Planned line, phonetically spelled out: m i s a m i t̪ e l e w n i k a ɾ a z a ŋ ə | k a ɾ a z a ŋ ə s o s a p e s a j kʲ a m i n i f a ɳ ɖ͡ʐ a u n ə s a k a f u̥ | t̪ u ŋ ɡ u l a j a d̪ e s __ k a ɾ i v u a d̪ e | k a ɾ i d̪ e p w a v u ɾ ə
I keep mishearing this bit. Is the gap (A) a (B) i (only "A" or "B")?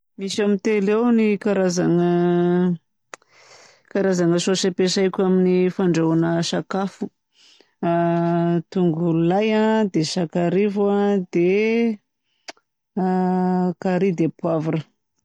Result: A